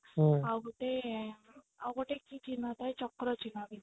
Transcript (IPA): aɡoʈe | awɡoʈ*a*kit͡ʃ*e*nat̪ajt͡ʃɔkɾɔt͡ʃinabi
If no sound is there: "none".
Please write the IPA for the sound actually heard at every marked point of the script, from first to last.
e, i

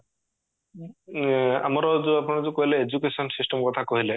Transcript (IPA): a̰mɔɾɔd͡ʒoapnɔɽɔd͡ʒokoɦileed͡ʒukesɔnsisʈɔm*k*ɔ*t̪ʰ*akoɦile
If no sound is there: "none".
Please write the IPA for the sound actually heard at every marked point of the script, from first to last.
k, t̪ʰ

